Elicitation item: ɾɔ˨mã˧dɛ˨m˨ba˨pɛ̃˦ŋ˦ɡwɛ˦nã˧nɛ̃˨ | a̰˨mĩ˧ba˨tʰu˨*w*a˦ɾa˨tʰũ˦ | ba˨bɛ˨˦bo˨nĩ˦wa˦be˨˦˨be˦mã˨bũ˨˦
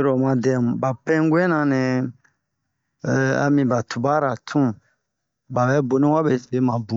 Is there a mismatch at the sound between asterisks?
yes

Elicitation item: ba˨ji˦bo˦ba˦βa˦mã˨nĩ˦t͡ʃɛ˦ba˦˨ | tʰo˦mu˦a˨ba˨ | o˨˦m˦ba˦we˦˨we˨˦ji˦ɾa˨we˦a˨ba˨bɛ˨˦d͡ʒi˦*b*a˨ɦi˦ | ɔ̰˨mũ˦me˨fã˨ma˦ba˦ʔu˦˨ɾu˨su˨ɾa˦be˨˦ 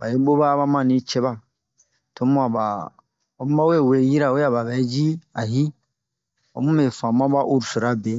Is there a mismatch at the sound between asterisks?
yes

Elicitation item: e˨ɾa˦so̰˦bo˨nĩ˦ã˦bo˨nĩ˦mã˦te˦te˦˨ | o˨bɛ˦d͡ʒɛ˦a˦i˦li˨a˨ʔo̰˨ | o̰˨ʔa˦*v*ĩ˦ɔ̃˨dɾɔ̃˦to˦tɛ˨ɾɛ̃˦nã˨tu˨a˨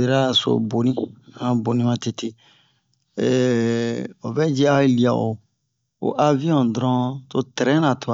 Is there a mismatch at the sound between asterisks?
no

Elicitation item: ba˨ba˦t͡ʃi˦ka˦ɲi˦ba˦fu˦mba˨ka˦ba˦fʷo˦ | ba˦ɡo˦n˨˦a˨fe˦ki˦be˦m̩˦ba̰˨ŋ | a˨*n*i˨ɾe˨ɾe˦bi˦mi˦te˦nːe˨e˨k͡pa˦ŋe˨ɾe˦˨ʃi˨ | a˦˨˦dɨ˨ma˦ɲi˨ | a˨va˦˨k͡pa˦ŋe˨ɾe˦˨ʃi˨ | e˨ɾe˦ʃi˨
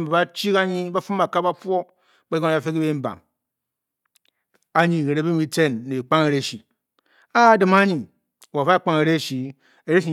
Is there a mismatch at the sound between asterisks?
yes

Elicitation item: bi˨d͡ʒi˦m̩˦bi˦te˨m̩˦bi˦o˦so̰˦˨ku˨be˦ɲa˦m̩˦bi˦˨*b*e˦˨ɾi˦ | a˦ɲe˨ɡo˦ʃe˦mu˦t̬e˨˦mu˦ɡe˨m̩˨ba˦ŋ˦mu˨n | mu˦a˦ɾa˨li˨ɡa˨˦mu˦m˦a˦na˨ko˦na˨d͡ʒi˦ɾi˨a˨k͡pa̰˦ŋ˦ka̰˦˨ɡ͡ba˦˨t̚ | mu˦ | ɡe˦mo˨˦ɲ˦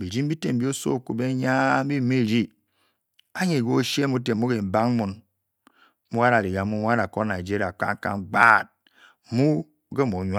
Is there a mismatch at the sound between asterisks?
yes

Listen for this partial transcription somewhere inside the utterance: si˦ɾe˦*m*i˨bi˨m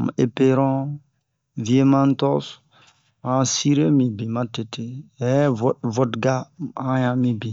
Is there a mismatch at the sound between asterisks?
no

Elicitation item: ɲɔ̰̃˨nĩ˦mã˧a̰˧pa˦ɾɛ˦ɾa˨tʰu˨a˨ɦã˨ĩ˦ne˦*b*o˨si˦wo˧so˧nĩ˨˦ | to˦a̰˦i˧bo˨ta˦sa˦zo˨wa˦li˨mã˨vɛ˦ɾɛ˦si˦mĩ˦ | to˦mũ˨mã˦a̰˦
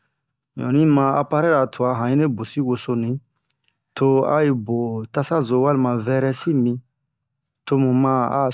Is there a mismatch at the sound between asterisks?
no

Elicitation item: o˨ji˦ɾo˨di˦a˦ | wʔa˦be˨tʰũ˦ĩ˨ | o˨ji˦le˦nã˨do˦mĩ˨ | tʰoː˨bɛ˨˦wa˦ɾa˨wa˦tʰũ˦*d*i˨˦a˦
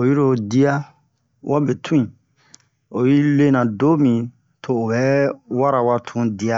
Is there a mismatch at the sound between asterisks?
no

